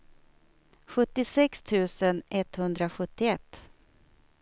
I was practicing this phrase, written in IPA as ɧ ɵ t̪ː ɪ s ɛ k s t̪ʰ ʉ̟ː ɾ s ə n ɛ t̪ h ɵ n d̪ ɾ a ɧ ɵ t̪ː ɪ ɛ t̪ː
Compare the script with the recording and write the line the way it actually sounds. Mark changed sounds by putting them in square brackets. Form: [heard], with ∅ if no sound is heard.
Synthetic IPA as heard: ɧ ɵ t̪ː ɪ s ɛ k s t̪ʰ ʉ̟ː [∅] s ə n ɛ t̪ h ɵ n d̪ ɾ a ɧ ɵ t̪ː ɪ ɛ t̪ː